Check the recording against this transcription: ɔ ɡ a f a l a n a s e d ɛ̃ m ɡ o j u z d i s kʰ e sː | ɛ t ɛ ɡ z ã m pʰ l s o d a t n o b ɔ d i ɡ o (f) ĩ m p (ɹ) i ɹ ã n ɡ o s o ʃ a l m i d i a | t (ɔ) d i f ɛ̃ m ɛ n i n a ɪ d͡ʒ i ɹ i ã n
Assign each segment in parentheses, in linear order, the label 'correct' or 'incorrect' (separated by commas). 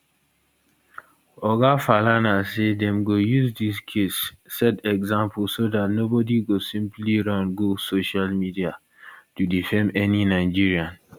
incorrect, incorrect, incorrect